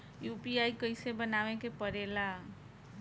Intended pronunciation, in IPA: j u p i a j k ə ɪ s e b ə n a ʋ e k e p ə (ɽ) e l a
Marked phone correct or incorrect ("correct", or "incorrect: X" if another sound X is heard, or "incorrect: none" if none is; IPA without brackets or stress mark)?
incorrect: ɾ